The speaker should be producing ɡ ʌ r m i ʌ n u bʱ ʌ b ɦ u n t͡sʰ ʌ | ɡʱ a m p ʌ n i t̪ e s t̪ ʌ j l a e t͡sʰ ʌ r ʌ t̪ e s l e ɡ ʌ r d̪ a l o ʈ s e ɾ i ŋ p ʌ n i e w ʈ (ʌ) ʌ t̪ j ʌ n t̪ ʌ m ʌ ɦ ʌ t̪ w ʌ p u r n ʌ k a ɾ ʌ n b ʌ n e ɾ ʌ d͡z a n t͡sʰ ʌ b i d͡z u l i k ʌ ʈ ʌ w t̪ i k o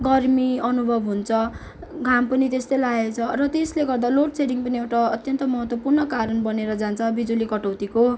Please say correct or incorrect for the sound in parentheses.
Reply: incorrect